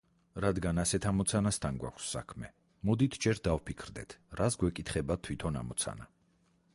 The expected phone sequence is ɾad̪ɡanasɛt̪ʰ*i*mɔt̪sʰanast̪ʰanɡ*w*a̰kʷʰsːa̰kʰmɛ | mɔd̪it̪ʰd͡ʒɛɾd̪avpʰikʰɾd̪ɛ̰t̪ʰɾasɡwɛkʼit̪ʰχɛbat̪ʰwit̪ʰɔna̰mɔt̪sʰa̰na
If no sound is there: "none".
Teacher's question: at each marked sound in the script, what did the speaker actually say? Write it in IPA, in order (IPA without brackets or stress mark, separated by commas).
a, w